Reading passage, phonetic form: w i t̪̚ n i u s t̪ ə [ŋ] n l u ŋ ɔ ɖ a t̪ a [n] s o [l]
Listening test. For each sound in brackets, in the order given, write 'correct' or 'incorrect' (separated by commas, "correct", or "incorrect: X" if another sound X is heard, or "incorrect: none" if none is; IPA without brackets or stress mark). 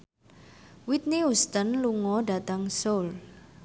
incorrect: none, incorrect: ŋ, correct